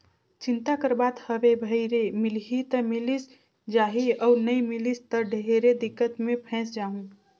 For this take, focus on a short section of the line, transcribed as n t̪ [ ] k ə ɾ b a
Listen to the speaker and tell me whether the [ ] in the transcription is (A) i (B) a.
B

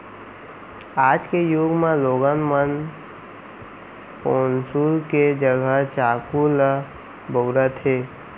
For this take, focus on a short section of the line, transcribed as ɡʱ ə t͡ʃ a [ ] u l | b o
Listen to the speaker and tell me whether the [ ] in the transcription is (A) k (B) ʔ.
A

